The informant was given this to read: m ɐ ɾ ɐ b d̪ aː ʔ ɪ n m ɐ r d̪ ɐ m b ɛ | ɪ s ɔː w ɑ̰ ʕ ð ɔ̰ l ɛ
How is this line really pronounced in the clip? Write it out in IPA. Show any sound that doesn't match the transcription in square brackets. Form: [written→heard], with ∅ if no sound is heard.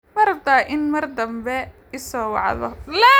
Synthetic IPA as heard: m ɐ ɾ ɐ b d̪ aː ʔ ɪ n m ɐ r d̪ ɐ m b ɛ | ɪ s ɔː w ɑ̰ ʕ ð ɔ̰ l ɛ